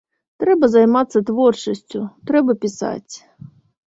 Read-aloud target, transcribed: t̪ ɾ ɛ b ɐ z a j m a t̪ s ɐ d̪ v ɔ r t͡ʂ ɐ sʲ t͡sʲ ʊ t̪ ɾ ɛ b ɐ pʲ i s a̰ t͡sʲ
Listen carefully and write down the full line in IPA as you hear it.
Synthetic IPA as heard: t̪ ɾ ɛ b ɐ z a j m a t̪ sː ɐ t̪ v ɔ r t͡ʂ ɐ sʲ t͡sʲ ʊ t̪ ɾ ɛ b ɐ pʲ i s a̰ t͡sʲ